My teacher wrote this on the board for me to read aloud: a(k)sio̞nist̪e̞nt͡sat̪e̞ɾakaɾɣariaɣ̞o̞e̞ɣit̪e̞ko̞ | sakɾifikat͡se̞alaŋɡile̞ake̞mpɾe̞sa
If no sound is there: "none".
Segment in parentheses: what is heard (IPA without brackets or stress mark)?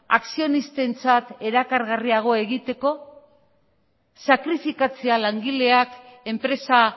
k